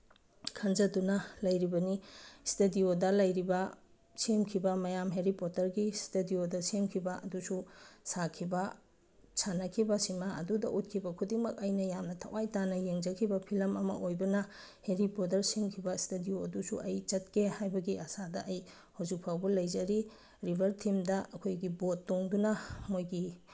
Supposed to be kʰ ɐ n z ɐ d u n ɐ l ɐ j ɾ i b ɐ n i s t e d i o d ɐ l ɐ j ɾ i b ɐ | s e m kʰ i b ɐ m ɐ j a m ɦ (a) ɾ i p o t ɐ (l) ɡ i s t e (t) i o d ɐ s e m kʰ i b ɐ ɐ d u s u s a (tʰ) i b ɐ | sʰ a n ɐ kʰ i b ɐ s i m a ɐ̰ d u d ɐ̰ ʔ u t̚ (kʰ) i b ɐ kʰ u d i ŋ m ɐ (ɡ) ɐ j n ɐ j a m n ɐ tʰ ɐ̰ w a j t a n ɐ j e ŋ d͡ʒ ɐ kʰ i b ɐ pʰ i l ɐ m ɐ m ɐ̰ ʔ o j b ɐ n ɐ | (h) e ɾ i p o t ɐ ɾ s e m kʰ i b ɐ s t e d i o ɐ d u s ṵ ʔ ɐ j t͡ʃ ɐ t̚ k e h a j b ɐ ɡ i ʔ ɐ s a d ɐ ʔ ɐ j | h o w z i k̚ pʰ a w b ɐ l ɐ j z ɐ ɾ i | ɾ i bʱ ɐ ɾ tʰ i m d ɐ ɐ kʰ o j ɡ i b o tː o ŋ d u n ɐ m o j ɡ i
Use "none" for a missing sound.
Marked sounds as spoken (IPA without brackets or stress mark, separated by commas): e, ɾ, d, kʰ, kʰ, k, h